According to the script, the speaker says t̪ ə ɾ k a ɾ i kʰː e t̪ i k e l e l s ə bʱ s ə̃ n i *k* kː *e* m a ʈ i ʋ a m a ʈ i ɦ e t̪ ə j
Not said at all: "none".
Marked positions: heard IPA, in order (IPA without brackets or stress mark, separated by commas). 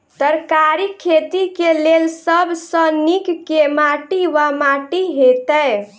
k, e